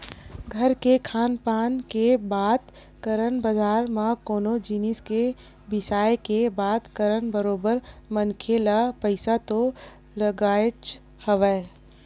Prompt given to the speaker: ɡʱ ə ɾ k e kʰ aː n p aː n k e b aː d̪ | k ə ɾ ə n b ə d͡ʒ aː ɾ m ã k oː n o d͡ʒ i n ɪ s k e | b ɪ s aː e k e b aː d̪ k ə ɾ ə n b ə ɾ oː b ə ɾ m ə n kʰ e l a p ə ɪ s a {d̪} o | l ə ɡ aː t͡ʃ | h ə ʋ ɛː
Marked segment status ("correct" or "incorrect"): incorrect